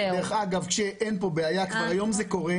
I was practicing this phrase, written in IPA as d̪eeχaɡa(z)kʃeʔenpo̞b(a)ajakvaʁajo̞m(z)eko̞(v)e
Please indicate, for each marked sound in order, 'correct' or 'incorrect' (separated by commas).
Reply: incorrect, incorrect, correct, incorrect